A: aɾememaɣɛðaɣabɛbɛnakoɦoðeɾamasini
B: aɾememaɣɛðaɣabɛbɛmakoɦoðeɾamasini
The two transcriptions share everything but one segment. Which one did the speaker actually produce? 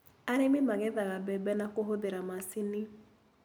A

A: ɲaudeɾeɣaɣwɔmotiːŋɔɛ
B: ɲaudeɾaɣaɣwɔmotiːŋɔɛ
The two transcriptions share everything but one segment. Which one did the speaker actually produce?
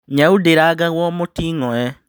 B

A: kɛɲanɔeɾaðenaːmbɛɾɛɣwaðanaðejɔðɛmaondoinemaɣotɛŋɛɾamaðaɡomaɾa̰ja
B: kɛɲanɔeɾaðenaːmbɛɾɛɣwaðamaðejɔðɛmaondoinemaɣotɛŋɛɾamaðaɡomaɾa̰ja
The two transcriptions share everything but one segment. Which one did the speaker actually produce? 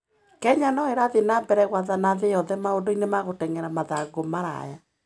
A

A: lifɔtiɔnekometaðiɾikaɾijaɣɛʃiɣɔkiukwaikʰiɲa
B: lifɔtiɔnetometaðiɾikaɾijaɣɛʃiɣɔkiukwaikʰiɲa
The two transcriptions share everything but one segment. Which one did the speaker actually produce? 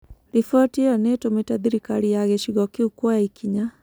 B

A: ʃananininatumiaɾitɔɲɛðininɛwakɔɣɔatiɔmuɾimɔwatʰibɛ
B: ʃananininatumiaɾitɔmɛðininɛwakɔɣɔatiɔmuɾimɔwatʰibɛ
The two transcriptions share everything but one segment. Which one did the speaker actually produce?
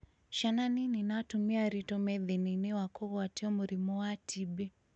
B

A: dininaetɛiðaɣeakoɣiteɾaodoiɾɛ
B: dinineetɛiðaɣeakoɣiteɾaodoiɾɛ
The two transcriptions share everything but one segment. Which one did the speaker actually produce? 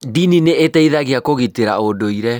B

